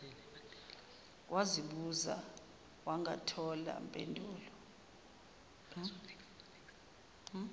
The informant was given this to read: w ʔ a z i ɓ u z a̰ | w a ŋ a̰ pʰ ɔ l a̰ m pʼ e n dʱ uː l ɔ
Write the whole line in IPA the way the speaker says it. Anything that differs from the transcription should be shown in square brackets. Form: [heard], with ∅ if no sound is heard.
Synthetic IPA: w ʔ a z i ɓ u z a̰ | w a ŋ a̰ [tʰ] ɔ l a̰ m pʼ e n dʱ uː l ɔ